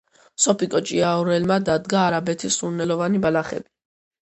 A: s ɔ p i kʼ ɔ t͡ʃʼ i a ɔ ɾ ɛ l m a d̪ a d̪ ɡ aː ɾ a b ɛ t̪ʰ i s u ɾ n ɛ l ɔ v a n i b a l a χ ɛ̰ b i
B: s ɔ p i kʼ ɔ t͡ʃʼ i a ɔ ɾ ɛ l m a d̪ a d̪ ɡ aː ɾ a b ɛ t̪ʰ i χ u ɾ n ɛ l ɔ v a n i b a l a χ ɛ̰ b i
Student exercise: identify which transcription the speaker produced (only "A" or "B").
A